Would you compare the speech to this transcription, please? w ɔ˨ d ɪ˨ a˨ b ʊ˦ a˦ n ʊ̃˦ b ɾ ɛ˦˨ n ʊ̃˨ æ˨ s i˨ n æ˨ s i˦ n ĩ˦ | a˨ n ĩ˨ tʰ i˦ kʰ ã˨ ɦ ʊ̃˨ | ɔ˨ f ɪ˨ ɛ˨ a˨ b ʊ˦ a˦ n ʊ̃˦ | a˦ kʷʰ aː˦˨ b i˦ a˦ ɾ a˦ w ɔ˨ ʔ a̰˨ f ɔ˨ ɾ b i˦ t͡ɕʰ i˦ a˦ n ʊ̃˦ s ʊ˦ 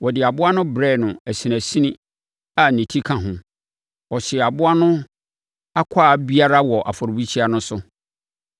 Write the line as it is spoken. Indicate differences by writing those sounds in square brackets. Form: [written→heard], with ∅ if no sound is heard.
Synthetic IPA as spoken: w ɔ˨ d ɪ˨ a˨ b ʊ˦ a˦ n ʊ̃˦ b ɾ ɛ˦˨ n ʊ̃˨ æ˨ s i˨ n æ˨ s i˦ n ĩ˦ | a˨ n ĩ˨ tʰ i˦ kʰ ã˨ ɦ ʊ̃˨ | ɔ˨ [f→ɕ] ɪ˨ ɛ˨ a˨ b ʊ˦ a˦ n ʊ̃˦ | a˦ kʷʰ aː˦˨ b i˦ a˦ ɾ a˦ w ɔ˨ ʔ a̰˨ f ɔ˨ ɾ b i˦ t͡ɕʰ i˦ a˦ n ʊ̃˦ s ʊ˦